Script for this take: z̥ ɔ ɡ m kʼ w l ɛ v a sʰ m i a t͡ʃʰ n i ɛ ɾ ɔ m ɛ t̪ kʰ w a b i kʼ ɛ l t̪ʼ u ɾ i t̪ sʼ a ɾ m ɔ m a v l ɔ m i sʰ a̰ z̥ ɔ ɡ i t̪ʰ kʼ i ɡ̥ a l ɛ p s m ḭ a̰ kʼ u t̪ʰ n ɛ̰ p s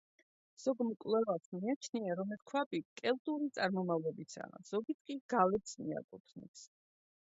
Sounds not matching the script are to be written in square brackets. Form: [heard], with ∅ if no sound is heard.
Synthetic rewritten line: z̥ ɔ ɡ m kʼ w l ɛ v a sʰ m i a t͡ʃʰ n i [a] ɾ ɔ m ɛ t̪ kʰ w a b i kʼ ɛ l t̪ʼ u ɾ i t̪ sʼ a ɾ m ɔ m a v l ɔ [b] i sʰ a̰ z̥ ɔ ɡ i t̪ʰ kʼ i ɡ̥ a l ɛ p s m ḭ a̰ kʼ u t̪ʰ n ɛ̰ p s